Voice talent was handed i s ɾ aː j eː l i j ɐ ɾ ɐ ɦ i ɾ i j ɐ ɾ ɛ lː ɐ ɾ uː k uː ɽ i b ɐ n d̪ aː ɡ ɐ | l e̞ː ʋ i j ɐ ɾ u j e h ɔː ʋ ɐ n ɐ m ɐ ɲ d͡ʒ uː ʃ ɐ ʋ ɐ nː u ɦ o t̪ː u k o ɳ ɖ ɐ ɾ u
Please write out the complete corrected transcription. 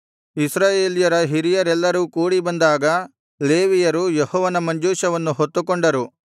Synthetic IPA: i s ɾ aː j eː l i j ɐ ɾ ɐ ɦ i ɾ i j ɐ ɾ ɛ lː ɐ ɾ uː k uː ɽ i b ɐ n d̪ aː ɡ ɐ | l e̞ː ʋ i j ɐ ɾ u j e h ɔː ʋ ɐ n ɐ m ɐ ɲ d͡ʒ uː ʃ ɐ ʋ ɐ nː u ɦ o t̪ː u k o ɳ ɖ ɐ ɾ u

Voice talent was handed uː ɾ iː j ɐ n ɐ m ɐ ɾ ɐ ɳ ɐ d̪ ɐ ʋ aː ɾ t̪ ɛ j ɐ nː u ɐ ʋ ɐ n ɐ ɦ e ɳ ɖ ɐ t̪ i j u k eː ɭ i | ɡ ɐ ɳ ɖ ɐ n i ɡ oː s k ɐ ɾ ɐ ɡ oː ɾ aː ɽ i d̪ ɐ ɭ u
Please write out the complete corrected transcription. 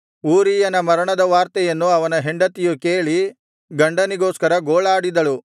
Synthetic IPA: uː ɾ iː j ɐ n ɐ m ɐ ɾ ɐ ɳ ɐ d̪ ɐ ʋ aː ɾ t̪ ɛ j ɐ nː u ɐ ʋ ɐ n ɐ ɦ e ɳ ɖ ɐ t̪ i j u k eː ɭ i | ɡ ɐ ɳ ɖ ɐ n i ɡ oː s k ɐ ɾ ɐ ɡ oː ɭ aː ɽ i d̪ ɐ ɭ u

